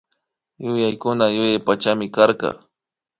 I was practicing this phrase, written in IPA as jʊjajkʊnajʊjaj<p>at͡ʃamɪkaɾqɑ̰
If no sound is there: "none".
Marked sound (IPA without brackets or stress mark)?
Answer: p